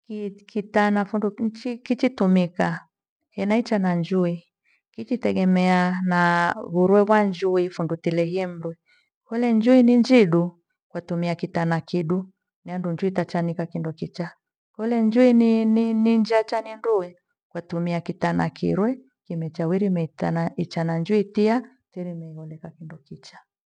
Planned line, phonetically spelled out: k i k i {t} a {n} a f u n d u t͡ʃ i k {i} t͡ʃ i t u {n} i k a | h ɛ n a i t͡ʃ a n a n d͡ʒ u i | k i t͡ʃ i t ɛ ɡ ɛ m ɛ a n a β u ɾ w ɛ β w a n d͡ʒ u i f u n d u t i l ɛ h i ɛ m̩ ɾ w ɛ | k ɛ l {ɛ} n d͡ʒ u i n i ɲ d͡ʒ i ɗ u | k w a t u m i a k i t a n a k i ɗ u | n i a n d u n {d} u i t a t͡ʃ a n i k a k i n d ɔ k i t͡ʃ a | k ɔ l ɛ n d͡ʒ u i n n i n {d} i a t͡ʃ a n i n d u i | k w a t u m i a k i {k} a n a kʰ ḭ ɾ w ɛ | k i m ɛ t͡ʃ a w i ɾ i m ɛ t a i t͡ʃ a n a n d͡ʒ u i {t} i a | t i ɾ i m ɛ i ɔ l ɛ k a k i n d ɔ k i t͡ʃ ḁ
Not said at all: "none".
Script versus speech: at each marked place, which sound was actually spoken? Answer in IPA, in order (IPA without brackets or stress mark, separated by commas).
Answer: t, n, i, m, ɛ, d͡ʒ, d͡ʒ, t, t